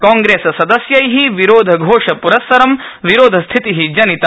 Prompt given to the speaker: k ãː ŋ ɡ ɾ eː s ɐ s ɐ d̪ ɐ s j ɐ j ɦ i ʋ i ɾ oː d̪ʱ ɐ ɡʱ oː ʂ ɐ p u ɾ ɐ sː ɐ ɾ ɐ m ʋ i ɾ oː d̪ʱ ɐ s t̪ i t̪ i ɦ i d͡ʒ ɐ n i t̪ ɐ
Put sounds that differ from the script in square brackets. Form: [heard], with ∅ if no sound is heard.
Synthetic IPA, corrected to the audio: k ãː ŋ ɡ ɾ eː s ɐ s ɐ d̪ ɐ s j ɐ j ɦ i ʋ i ɾ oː d̪ʱ ɐ ɡʱ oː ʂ ɐ p u ɾ ɐ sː ɐ ɾ ɐ m ʋ i ɾ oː d̪ʱ ɐ s [t̪ʰ] i t̪ i ɦ i d͡ʒ ɐ n i t̪ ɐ